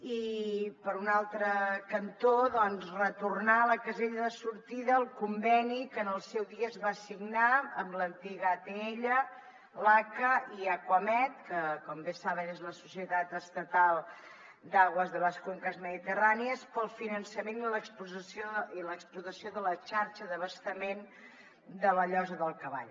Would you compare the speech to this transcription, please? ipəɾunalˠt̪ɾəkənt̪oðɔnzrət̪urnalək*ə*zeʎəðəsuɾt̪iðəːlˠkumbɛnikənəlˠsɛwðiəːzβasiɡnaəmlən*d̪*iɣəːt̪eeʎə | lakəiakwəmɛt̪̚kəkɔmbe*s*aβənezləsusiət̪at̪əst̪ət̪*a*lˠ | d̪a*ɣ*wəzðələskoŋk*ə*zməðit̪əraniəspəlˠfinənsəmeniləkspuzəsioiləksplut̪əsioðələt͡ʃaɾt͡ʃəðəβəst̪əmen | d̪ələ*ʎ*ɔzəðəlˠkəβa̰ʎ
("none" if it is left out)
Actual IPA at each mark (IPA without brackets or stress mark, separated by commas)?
ə, t̪, s, a, ɣ, ə, ʎ